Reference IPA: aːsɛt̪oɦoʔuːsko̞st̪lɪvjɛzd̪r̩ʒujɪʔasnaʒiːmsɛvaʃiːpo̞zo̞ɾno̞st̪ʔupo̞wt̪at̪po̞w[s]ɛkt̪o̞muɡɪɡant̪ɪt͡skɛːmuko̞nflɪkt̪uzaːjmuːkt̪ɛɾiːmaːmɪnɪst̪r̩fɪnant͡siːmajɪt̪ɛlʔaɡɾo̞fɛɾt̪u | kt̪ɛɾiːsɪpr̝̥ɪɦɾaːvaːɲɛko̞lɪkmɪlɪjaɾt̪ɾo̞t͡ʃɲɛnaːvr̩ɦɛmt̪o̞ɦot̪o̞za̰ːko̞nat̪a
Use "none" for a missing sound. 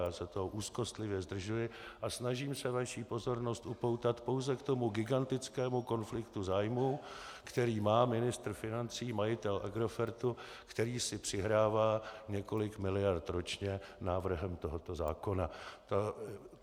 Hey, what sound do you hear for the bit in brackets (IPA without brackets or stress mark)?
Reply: z